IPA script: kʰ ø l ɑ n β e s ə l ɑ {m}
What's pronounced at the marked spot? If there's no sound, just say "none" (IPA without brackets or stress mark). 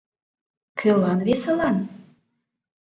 n